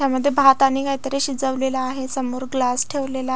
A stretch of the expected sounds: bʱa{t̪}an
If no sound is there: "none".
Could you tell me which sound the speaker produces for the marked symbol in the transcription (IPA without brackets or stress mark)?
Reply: t̪